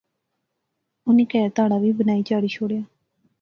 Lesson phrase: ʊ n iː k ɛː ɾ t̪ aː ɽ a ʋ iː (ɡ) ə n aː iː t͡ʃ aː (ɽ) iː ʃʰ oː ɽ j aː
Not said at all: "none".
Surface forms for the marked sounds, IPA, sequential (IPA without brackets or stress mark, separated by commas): b, ɽ